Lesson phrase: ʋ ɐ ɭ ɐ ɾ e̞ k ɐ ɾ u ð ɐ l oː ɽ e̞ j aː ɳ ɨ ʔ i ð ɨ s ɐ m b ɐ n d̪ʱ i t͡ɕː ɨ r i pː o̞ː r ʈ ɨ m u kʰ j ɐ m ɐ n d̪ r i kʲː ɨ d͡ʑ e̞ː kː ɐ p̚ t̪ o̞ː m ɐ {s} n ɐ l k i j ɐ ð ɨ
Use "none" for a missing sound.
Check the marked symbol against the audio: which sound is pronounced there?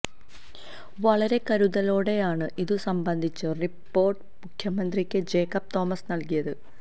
s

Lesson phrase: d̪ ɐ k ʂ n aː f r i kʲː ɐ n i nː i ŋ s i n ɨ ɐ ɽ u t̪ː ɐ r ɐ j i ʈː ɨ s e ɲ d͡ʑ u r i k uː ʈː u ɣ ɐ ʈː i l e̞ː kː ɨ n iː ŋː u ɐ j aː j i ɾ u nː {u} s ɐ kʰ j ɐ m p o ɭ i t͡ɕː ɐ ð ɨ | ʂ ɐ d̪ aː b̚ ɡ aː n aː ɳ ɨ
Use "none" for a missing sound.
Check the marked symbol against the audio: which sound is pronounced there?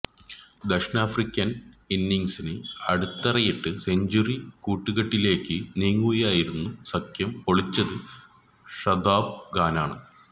u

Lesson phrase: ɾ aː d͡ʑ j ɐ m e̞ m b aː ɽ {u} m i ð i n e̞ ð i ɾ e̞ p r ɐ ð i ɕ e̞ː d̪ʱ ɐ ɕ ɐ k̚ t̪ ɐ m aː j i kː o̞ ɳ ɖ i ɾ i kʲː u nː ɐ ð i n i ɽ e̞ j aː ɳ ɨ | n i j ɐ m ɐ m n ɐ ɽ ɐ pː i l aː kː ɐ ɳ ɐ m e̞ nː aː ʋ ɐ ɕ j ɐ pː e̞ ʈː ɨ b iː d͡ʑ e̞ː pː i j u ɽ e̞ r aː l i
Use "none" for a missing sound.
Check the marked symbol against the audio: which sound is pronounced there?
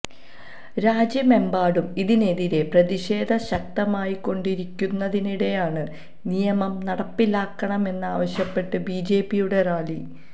u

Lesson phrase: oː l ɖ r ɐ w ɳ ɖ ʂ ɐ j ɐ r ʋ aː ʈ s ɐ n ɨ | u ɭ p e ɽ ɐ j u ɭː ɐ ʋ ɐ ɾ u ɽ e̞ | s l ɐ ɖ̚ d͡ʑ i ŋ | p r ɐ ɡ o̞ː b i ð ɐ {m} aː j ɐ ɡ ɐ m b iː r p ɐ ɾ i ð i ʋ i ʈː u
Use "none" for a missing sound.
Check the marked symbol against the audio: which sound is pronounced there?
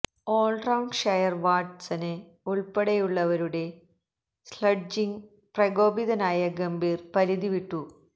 n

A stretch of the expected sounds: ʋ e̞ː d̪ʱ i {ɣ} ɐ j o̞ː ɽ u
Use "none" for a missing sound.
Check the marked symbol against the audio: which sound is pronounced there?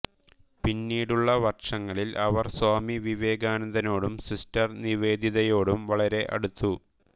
ð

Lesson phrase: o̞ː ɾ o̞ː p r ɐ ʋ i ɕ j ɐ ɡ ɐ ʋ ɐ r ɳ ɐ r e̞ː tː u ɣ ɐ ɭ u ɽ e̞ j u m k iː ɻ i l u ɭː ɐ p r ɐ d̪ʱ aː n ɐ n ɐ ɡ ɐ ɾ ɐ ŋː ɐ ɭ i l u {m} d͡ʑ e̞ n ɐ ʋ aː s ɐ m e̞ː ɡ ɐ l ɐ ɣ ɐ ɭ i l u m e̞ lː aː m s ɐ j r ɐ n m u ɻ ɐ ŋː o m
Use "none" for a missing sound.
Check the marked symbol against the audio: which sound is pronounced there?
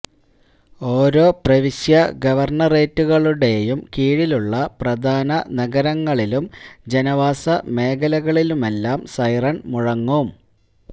m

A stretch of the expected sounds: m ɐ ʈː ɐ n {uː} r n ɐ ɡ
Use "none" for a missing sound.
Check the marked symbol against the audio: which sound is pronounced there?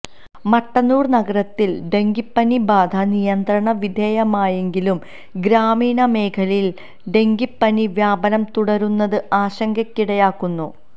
uː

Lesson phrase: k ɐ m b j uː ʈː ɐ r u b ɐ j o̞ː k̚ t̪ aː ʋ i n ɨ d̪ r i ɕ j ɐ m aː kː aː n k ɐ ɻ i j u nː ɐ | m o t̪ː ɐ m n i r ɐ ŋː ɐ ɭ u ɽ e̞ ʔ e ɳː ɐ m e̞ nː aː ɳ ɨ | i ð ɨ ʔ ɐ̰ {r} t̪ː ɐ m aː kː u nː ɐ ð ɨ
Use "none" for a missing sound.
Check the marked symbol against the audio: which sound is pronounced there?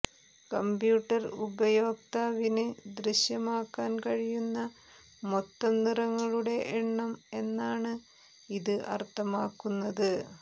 r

